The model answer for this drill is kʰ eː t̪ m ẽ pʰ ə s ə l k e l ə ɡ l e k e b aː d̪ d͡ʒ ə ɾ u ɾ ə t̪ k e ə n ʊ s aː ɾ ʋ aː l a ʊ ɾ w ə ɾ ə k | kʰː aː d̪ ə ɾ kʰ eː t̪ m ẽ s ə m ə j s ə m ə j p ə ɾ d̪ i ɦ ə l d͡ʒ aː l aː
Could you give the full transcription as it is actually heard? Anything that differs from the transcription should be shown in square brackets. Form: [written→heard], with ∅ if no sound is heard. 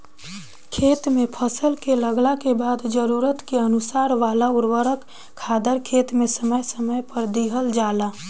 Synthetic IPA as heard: kʰ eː t̪ m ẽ pʰ ə s ə l k e l ə ɡ l [e→a] k e b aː d̪ d͡ʒ ə ɾ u ɾ ə t̪ k e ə n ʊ s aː ɾ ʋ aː l a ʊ ɾ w ə ɾ ə k | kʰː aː d̪ ə ɾ kʰ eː t̪ m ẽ s ə m ə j s ə m ə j p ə ɾ d̪ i ɦ ə l d͡ʒ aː l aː